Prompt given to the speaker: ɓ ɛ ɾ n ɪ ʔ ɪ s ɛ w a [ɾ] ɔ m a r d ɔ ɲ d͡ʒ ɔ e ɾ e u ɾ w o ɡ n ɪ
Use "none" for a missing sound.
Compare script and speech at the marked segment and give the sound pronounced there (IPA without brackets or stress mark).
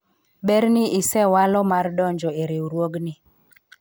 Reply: l